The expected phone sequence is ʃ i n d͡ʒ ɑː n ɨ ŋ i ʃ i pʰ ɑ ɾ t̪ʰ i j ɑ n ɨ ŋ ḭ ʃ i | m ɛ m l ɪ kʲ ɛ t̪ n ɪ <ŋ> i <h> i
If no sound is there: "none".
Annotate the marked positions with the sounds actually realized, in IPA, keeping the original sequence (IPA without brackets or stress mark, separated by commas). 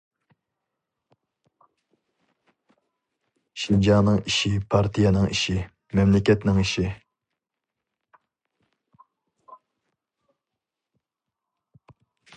ŋ, ʃ